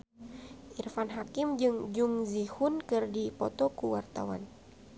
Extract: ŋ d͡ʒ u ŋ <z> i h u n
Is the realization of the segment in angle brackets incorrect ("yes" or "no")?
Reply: no